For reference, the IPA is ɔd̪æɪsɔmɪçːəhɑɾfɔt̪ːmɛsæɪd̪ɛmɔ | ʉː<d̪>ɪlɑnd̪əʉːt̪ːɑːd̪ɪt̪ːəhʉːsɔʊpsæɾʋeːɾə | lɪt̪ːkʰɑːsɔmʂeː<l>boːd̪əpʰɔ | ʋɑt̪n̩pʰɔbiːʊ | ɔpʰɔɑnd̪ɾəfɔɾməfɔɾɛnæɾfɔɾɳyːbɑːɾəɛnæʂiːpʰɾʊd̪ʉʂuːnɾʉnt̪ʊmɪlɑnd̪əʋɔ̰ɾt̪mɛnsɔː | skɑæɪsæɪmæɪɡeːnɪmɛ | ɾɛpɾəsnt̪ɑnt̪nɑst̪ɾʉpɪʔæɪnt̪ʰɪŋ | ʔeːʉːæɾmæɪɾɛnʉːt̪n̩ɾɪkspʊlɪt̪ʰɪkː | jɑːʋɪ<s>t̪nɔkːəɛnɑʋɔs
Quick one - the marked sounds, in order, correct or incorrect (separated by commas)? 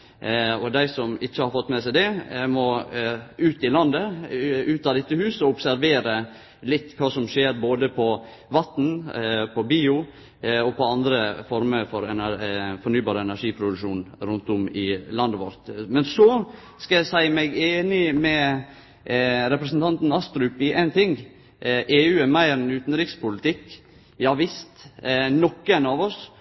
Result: incorrect, incorrect, correct